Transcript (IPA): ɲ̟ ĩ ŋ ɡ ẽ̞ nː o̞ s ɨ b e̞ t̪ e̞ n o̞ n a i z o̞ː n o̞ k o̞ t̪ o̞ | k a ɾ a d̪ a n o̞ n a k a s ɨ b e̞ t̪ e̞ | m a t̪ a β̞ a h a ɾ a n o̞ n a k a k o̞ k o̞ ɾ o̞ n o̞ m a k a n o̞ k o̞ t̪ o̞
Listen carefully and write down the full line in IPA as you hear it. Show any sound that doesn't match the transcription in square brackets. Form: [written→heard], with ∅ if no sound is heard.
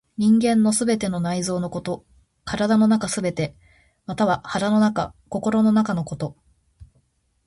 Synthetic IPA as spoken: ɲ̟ ĩ ŋ ɡ ẽ̞ nː o̞ s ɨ b e̞ t̪ e̞ n o̞ n a i z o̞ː n o̞ k o̞ t̪ o̞ | k a ɾ a d̪ a n o̞ n a k a s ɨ b e̞ t̪ e̞ | m a t̪ a β̞ a h a ɾ a n o̞ n a k a k o̞ k o̞ ɾ o̞ n o̞ [m→n] a k a n o̞ k o̞ t̪ o̞